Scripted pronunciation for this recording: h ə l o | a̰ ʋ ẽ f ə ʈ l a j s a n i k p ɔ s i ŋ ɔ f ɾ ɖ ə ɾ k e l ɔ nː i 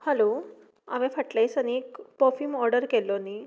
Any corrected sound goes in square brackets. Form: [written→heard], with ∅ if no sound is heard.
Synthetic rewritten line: h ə l o | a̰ ʋ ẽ f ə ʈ l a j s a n i k p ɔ [s→f] i [ŋ→m] ɔ [f→∅] ɾ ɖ ə ɾ k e l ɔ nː i